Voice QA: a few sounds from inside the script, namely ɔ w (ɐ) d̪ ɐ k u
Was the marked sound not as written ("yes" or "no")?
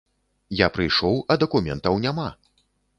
no